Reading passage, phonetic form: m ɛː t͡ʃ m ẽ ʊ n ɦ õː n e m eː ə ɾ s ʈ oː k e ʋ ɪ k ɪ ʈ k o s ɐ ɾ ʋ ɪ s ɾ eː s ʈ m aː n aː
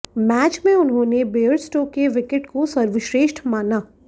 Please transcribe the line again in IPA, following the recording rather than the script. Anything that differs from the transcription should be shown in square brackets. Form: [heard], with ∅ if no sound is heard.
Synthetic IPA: m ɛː t͡ʃ m ẽ ʊ n ɦ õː n e [b] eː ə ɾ s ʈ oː k e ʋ ɪ k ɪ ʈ k o s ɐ ɾ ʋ ɪ [ʃ] ɾ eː [ʃ] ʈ m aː n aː